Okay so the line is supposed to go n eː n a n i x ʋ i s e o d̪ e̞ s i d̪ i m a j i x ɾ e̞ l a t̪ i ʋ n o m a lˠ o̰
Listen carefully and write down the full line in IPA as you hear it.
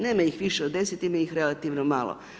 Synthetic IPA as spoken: n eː m a i x ʋ i ʃ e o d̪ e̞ s i t̪ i m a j i x ɾ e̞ l a t̪ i ʋ n o m a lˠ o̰